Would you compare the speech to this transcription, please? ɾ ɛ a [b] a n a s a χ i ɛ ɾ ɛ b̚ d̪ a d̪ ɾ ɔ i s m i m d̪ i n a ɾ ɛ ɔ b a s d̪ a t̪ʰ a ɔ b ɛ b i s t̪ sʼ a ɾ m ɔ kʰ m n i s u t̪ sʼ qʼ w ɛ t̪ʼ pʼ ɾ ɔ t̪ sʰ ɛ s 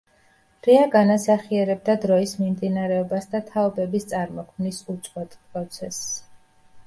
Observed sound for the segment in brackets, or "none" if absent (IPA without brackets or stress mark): ɡ